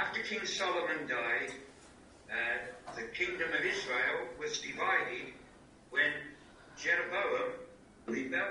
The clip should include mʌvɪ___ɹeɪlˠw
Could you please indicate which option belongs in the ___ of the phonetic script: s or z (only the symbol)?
z